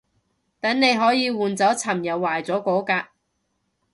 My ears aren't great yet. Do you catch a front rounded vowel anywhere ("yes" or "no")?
no